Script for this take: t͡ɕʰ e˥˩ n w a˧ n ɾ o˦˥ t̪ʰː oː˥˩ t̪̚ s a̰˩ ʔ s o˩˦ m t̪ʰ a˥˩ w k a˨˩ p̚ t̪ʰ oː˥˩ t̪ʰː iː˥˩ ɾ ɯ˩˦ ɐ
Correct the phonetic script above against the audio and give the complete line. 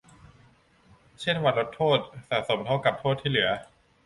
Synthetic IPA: t͡ɕʰ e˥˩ n w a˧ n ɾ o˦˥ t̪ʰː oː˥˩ t̪̚ s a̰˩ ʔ s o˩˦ m t̪ʰ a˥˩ w k a˨˩ p̚ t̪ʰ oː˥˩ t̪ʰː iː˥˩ l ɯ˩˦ ɐ